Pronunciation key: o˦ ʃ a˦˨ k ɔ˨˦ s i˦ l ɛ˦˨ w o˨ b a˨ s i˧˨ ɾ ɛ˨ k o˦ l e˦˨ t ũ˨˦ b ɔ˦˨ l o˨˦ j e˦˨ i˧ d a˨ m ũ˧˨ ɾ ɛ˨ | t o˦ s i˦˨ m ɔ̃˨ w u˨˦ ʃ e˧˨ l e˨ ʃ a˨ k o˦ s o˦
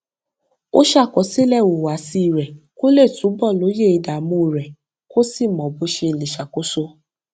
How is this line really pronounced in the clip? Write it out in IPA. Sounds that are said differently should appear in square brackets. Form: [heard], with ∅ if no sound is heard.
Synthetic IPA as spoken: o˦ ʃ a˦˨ k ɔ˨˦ s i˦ l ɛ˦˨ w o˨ [w] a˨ s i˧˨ ɾ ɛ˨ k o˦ l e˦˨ t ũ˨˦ b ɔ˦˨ l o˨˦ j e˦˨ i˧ d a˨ m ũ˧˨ ɾ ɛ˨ | [k] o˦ s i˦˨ m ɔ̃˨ [b] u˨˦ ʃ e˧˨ l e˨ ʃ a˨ k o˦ s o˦